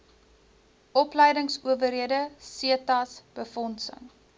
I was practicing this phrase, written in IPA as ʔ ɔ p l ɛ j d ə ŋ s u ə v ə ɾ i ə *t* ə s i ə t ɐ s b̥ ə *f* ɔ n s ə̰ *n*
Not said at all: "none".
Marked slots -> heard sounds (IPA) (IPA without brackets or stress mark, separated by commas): d, f, ŋ